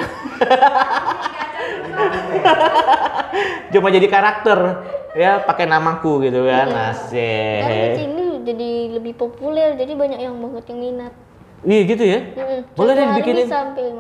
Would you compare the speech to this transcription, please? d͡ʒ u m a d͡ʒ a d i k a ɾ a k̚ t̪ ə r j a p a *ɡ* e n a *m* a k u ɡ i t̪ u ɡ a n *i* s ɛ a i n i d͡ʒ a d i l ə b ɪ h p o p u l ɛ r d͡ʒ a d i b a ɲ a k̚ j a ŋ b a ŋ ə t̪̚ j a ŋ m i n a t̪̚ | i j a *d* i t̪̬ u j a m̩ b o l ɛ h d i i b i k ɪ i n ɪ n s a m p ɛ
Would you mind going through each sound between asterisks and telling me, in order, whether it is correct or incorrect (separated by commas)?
incorrect, correct, incorrect, incorrect